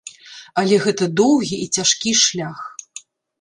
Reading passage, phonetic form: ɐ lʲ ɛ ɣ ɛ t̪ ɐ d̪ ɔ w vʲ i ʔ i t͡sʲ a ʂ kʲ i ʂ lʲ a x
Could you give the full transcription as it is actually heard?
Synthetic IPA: ɐ lʲ ɛ ɣ ɛ t̪ ɐ d̪ ɔ w ɣʲ i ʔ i t͡sʲ a ʂ kʲ i ʂ lʲ a x